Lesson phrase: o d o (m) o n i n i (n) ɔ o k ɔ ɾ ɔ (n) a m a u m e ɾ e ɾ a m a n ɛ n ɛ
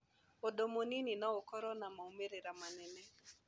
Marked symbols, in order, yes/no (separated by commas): yes, yes, yes